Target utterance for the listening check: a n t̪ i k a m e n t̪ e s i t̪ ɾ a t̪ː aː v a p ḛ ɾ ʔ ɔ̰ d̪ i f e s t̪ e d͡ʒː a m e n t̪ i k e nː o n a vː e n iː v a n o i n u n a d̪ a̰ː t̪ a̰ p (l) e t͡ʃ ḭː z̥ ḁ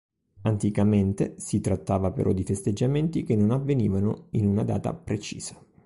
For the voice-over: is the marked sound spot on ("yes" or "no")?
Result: no